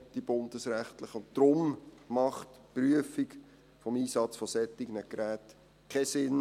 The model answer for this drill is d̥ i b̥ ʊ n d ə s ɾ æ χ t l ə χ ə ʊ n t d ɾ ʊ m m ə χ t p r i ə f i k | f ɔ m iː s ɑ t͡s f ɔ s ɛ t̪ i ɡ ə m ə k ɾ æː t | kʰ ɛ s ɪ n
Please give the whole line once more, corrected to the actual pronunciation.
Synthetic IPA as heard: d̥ i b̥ ʊ n d ə s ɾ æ χ t l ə χ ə ʊ n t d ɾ ʊ m m ɑ χ t p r y ə f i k | f ɔ m iː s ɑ t͡s f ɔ s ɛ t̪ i ɡ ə n ə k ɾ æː t | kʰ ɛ s ɪ n